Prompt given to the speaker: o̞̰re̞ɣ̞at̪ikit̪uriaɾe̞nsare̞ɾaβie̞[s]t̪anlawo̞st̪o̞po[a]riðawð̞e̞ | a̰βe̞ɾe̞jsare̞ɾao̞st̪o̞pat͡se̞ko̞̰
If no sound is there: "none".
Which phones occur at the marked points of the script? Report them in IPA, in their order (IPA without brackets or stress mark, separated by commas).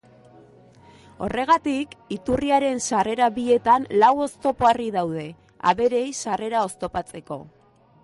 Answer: none, a